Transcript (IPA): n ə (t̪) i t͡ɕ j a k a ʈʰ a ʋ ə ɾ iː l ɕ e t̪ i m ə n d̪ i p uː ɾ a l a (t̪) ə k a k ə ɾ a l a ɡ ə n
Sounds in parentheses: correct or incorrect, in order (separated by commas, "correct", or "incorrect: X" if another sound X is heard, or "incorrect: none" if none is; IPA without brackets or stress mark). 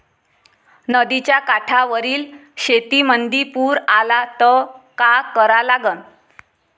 incorrect: d̪, correct